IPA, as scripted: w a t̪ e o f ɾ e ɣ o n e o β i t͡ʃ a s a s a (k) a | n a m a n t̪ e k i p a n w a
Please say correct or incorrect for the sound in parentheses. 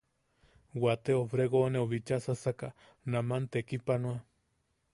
correct